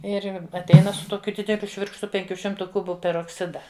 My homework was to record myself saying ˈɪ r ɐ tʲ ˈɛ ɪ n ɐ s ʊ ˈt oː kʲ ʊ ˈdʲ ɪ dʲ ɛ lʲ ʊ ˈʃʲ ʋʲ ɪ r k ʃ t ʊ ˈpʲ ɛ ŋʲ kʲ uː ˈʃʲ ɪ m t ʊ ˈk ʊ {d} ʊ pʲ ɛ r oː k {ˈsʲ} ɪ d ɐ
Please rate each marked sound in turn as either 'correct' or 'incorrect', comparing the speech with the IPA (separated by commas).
incorrect, correct